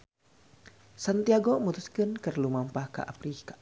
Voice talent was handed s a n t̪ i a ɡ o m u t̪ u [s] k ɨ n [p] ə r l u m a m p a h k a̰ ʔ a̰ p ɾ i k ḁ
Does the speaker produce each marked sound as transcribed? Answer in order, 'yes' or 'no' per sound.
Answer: yes, no

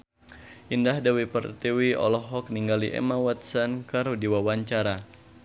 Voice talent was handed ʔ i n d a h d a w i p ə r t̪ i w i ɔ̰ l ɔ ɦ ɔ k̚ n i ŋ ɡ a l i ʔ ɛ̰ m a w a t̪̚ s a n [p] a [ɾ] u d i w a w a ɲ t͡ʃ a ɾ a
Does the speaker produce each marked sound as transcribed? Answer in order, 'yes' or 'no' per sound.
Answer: no, yes

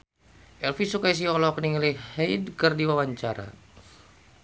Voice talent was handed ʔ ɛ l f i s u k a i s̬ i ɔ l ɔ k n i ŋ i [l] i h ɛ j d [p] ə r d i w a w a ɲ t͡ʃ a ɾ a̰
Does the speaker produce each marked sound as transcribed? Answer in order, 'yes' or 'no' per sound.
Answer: yes, no

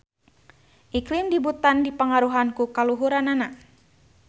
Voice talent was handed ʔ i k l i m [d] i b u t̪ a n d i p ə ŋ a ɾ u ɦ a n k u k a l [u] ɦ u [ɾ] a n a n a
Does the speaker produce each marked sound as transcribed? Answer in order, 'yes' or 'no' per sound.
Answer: yes, yes, yes

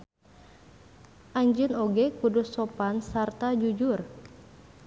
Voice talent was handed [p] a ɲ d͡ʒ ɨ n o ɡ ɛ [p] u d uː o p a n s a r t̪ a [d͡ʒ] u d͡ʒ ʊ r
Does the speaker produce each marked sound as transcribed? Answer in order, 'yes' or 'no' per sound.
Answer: no, no, yes

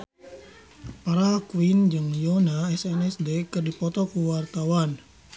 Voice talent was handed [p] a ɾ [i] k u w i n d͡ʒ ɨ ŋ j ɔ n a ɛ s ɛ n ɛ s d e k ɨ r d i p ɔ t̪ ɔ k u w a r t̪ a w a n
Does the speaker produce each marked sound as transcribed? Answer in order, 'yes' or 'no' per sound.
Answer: yes, no

